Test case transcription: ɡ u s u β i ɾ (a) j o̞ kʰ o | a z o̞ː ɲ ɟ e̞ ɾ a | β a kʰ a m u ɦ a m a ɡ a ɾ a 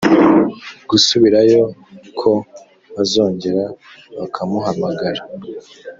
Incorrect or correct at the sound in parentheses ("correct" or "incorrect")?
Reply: correct